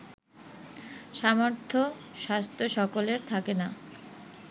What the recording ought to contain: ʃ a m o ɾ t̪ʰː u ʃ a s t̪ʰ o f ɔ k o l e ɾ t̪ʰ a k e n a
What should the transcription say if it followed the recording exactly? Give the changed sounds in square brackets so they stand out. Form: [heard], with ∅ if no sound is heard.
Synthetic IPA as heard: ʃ a m o ɾ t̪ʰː [o] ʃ a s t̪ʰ o [ʃ] ɔ k o l e ɾ t̪ʰ a k e n a